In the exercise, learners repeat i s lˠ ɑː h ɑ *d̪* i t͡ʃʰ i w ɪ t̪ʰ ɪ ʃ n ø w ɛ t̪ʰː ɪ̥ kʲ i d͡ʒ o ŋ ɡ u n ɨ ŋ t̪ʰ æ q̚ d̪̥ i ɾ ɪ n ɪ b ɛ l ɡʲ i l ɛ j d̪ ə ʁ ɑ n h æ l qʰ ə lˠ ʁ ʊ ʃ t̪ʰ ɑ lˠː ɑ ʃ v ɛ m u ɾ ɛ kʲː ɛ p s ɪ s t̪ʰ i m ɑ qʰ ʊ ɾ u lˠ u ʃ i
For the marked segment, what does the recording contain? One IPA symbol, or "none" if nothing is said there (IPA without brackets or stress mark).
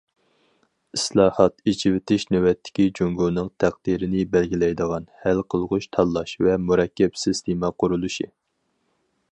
t̪